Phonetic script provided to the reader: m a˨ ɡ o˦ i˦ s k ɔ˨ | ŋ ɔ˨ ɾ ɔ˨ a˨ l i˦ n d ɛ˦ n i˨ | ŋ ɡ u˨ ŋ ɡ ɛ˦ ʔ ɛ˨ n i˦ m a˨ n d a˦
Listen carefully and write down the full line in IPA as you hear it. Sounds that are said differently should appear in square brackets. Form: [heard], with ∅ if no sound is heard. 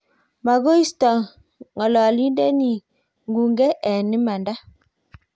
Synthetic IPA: m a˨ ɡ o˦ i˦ s [t] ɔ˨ | ŋ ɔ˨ [l] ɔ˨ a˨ l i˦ n d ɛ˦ n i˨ | ŋ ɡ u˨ ŋ ɡ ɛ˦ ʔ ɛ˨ n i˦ m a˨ n d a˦